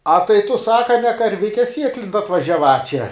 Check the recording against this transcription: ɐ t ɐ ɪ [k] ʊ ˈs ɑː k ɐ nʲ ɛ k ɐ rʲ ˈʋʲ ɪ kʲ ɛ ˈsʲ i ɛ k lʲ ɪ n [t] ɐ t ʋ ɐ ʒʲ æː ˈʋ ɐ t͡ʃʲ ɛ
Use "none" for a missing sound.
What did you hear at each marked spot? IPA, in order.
t, t

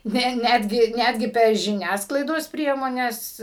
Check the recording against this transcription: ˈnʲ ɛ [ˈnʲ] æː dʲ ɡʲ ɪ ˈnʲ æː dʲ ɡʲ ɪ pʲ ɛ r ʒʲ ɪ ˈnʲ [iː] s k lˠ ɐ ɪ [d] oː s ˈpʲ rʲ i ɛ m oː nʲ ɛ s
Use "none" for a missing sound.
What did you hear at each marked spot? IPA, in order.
nʲ, æː, d

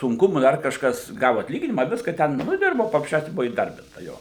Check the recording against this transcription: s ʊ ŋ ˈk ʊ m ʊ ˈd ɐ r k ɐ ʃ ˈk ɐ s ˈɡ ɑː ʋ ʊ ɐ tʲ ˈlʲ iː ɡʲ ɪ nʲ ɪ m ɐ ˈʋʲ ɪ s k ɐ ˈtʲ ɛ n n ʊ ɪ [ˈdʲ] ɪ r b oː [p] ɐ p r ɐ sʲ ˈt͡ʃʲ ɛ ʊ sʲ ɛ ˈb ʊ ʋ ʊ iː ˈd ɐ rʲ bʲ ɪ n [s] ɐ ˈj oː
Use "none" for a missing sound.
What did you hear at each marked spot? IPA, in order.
dʲ, p, t

